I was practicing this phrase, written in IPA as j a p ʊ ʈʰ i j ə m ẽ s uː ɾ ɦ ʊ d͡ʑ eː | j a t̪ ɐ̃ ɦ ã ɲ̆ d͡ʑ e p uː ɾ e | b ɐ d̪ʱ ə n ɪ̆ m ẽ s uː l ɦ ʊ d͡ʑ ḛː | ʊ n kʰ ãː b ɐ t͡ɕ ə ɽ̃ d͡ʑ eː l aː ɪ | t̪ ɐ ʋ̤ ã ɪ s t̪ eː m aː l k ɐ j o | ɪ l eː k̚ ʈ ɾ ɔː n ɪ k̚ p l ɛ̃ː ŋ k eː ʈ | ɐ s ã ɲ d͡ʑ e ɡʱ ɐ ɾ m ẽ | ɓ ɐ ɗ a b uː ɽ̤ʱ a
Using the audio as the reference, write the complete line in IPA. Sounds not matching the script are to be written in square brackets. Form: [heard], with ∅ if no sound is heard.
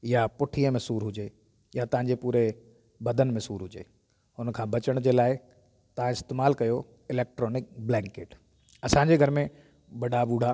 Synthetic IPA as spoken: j a p ʊ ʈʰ i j ə m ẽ s uː ɾ ɦ ʊ d͡ʑ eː | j a t̪ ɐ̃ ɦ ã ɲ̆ d͡ʑ e p uː ɾ e | b ɐ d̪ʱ ə n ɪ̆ m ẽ s uː [ɾ] ɦ ʊ d͡ʑ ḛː | ʊ n kʰ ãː b ɐ t͡ɕ ə ɽ̃ d͡ʑ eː l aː ɪ | t̪ ɐ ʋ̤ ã ɪ s t̪ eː m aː l k ɐ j o | ɪ l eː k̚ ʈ ɾ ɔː n ɪ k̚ [b] l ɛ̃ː ŋ k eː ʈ | ɐ s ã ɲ d͡ʑ e ɡʱ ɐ ɾ m ẽ | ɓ ɐ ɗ a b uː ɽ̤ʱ a